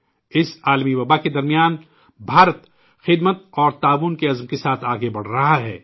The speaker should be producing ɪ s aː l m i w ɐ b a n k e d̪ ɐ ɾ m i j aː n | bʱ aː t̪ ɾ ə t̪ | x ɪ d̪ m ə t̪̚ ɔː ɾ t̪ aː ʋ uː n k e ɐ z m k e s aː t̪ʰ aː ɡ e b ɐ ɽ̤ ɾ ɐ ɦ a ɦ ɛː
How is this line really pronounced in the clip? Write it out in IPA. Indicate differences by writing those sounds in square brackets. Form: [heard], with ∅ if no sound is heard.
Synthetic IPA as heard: ɪ s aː l m i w ɐ b a [∅] k e d̪ ɐ ɾ m i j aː n | bʱ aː [∅] ɾ ə t̪ | x ɪ d̪ m ə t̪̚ ɔː ɾ t̪ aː ʋ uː n k e ɐ z m k e s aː t̪ʰ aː ɡ e b ɐ ɽ̤ ɾ ɐ ɦ a ɦ ɛː